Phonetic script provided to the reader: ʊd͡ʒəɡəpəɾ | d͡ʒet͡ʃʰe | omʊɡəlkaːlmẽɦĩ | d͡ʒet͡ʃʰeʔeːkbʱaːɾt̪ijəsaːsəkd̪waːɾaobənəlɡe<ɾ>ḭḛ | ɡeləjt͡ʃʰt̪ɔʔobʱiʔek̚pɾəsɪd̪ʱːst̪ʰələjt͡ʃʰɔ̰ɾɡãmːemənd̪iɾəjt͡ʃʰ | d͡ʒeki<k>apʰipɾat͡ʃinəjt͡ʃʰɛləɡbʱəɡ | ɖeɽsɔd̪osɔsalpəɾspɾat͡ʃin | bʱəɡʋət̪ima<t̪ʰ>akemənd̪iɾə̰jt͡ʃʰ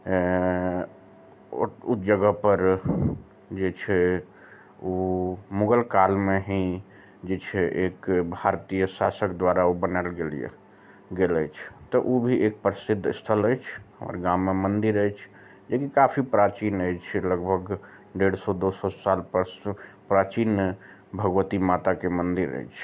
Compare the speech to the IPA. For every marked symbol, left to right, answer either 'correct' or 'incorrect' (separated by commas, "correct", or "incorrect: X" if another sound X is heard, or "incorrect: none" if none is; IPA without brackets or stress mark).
incorrect: l, correct, incorrect: t̪